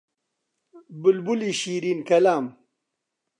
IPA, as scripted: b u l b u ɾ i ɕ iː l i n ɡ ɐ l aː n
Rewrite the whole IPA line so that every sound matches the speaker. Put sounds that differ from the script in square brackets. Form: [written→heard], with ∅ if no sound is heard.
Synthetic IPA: b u l b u [ɾ→l] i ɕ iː [l→ɾ] i n [ɡ→k] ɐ l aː [n→m]